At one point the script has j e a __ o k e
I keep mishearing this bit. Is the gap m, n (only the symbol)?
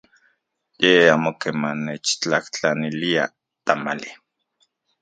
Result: m